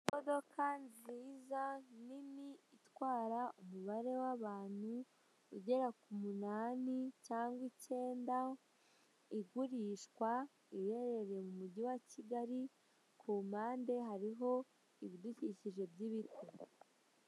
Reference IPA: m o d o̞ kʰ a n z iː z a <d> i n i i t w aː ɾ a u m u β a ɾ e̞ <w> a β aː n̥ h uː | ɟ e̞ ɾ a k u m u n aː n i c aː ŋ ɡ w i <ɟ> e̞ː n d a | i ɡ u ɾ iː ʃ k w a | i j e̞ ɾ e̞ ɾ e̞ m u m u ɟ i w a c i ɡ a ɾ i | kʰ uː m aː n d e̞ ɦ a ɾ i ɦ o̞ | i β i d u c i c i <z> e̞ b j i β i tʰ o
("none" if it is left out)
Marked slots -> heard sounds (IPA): n, w, c, ʒ

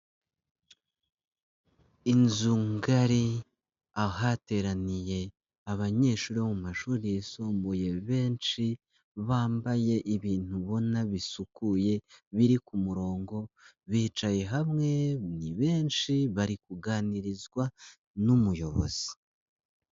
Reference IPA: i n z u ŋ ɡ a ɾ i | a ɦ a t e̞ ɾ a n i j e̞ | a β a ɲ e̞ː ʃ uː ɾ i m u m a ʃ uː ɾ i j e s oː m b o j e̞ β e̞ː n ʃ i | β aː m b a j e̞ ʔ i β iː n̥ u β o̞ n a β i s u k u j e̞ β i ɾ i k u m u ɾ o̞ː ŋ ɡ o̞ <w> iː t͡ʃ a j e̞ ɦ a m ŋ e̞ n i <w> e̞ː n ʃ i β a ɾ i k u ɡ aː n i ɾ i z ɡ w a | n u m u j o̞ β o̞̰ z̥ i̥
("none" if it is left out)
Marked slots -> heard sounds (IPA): β, β

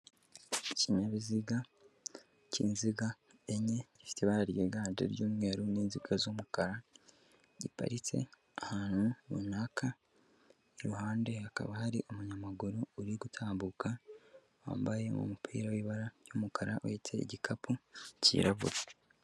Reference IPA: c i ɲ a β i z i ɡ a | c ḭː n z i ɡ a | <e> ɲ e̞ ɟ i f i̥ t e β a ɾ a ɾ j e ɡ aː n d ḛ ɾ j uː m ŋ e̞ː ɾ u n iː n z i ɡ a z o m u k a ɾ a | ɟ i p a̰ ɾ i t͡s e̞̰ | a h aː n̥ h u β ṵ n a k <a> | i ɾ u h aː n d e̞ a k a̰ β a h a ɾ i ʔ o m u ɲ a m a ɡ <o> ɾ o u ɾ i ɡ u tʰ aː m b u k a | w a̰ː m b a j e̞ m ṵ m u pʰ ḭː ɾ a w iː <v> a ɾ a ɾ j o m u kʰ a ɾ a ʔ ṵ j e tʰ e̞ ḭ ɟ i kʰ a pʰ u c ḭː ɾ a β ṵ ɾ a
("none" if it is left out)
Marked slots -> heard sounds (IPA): e, a, u, β

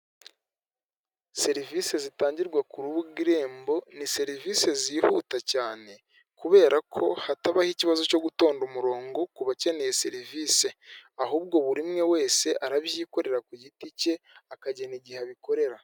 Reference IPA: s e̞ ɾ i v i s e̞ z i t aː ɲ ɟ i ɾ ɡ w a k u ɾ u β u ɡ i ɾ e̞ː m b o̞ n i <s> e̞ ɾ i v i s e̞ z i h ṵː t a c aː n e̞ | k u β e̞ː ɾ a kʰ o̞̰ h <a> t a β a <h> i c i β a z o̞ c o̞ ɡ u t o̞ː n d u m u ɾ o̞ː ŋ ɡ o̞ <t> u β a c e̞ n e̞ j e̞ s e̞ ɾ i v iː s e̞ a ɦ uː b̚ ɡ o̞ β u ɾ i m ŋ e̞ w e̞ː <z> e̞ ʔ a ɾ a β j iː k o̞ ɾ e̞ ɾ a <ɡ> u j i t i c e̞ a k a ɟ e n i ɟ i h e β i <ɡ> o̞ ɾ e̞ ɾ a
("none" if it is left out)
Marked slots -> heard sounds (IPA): s, a, h, k, s, k, k

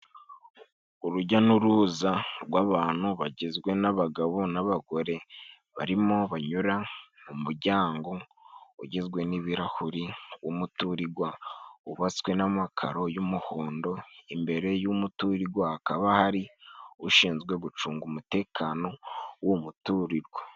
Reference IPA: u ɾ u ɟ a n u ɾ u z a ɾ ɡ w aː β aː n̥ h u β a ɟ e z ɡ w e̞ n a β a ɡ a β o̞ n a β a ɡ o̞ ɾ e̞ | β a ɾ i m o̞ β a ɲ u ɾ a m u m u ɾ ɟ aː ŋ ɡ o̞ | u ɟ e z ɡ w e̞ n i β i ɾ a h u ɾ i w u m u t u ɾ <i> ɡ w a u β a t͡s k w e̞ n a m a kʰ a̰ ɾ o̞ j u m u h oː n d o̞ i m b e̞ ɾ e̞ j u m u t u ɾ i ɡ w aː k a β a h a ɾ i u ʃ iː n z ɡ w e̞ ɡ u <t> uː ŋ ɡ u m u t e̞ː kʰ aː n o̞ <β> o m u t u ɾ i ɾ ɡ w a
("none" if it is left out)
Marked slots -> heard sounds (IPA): i, t͡ʃ, w

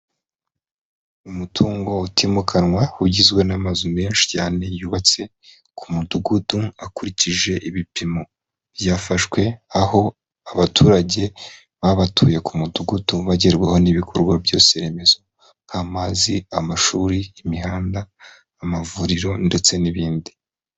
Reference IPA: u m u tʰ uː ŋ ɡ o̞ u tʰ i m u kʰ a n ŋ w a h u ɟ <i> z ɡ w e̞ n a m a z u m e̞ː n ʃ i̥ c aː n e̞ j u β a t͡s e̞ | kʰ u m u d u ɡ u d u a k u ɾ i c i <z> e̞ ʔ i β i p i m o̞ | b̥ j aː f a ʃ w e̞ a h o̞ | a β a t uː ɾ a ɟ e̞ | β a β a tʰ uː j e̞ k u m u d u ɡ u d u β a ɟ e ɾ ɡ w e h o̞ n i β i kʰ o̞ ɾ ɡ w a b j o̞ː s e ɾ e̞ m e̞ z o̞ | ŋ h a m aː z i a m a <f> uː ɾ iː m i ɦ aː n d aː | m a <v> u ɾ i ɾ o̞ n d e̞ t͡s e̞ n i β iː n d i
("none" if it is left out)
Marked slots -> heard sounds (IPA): i, ʒ, ʃ, v

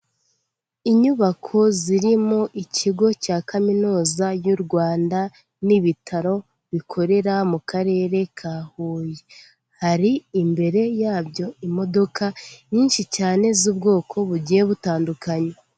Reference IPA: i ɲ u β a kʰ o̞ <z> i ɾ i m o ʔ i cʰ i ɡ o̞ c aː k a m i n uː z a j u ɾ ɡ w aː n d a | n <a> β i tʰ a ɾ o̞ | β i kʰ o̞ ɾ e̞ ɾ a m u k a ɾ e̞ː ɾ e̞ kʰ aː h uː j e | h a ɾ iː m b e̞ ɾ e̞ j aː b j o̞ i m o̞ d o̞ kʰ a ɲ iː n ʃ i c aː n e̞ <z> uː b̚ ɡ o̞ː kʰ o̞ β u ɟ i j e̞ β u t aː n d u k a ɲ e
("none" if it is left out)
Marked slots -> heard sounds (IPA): z, i, z

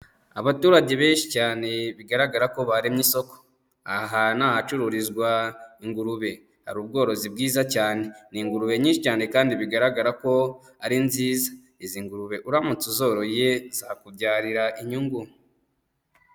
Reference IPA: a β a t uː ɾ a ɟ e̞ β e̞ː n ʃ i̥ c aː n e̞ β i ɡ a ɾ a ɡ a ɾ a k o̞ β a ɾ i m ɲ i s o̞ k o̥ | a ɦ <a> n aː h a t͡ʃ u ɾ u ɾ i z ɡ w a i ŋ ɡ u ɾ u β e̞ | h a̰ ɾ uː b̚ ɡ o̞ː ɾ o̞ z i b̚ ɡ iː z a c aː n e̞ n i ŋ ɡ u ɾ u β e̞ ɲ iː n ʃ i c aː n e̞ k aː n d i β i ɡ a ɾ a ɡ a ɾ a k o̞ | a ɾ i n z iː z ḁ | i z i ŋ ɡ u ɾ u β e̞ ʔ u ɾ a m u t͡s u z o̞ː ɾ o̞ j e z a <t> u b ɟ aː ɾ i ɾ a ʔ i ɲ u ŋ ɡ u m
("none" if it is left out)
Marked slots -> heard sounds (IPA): a, k

